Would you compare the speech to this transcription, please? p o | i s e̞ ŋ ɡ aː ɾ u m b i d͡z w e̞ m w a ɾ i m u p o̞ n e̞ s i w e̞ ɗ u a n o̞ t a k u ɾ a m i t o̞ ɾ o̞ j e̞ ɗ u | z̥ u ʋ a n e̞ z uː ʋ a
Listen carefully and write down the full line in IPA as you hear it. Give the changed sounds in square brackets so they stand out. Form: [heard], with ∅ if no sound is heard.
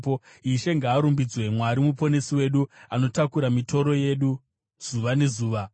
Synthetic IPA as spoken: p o | i [ʃ] e̞ ŋ ɡ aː ɾ u m b i d͡z w e̞ m w a ɾ i m u p o̞ n e̞ s i w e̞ ɗ u a n o̞ t a k u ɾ a m i t o̞ ɾ o̞ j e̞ ɗ u | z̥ u ʋ a n e̞ z uː ʋ a